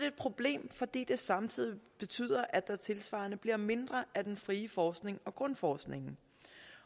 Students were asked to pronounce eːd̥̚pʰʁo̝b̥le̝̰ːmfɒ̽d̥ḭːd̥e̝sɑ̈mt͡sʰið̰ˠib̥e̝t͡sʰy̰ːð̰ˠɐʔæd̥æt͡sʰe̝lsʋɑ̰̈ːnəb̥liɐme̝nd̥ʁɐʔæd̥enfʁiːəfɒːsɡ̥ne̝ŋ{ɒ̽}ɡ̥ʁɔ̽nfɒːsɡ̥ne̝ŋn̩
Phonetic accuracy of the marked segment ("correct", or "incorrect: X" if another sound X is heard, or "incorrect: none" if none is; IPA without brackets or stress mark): correct